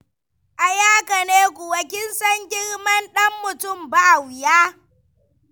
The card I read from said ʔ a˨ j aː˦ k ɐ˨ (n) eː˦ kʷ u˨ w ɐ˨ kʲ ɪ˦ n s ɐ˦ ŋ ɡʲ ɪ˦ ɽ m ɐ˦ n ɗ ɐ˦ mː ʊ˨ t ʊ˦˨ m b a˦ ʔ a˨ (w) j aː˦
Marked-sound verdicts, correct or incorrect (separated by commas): correct, correct